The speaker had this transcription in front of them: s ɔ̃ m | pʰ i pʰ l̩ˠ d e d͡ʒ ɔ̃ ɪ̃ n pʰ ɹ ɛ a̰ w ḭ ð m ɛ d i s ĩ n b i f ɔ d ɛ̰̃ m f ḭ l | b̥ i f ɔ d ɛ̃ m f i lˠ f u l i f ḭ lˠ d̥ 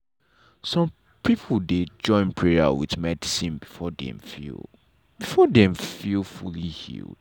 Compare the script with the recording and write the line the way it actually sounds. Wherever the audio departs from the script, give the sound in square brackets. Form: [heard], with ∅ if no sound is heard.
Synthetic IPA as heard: s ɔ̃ m | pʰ i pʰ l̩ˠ d e d͡ʒ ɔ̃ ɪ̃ n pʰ ɹ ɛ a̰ w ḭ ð m ɛ d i s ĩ n b i f ɔ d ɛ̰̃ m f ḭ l | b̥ i f ɔ d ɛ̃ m f i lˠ f u l i [h] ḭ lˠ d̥